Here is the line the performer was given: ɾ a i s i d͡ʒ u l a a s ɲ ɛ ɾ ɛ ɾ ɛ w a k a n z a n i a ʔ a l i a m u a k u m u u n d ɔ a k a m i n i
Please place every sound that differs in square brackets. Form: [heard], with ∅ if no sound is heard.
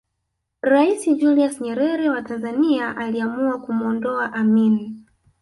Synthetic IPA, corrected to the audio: ɾ a i s i d͡ʒ u l [i] a s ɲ ɛ ɾ ɛ ɾ ɛ w a [t] a n z a n i a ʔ a l i a m u a k u m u [ɔ] n d ɔ a [ʔ] a m i n i